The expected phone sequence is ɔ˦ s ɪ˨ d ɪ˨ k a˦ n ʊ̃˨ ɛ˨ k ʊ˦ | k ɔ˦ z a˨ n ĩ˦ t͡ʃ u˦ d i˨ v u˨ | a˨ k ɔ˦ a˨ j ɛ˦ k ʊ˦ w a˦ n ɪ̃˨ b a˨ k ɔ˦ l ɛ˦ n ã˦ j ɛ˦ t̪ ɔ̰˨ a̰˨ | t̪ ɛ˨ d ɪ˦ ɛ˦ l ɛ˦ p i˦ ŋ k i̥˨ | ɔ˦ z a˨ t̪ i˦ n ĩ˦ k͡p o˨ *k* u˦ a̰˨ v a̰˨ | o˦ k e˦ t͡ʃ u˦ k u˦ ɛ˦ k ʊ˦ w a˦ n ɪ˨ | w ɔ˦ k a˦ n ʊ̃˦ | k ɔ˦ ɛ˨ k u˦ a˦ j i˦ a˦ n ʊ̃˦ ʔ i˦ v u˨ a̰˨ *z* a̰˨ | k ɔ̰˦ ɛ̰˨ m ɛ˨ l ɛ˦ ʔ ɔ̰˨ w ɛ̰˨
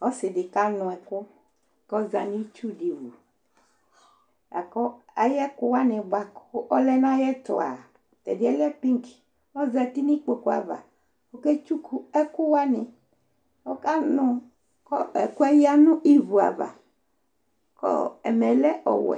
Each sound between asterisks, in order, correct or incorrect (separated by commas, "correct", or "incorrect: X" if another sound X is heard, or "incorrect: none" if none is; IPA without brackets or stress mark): correct, incorrect: v